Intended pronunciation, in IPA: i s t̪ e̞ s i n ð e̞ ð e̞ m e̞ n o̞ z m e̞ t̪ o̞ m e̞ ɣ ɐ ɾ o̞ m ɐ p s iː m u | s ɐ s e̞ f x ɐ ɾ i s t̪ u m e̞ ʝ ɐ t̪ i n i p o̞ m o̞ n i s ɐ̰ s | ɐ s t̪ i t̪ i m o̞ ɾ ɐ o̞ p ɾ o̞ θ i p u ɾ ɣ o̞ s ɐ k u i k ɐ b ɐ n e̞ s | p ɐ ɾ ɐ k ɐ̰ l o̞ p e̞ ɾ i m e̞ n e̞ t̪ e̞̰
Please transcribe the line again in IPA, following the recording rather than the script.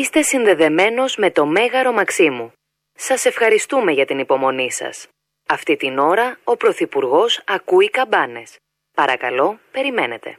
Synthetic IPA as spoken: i s t̪ e̞ s i n ð e̞ ð e̞ m e̞ n o̞ z m e̞ t̪ o̞ m e̞ ɣ ɐ ɾ o̞ m ɐ k s i m u | s ɐ s e̞ f x ɐ ɾ i s t̪ u m e̞ ʝ ɐ t̪ i n i p o̞ m o̞ n i s ɐ̰ s | ɐ f t̪ i t̪ i n o̞ ɾ ɐ o̞ p ɾ o̞ θ i p u ɾ ɣ o̞ s ɐ k u i k ɐ b ɐ n e̞ s | p ɐ ɾ ɐ k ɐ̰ l o̞ p e̞ ɾ i m e̞ n e̞ t̪ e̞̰